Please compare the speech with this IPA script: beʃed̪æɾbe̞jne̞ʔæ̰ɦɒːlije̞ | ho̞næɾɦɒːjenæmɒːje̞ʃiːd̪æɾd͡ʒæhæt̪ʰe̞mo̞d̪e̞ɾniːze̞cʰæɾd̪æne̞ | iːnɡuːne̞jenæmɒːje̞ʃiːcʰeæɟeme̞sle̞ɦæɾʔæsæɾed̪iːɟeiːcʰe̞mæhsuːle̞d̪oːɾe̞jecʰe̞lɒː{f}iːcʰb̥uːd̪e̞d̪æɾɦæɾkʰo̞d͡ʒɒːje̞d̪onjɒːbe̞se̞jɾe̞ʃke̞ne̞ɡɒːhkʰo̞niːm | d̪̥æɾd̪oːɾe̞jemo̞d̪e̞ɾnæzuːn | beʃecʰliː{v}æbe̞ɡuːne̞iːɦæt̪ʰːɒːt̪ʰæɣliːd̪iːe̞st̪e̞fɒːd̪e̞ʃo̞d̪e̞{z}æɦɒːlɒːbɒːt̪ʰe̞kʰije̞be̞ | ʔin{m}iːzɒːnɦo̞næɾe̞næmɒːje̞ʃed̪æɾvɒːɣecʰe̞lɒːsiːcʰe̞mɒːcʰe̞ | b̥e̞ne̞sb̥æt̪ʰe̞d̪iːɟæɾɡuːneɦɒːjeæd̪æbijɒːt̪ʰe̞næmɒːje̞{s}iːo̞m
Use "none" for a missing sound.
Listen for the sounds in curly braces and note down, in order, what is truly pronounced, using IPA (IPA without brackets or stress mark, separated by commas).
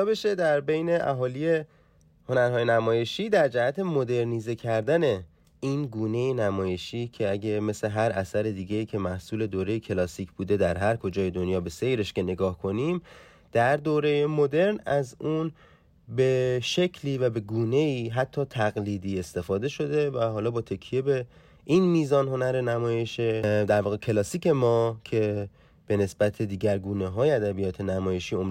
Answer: s, v, v, m, ʃ